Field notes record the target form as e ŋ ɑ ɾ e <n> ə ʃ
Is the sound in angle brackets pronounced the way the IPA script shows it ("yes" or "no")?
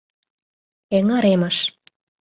no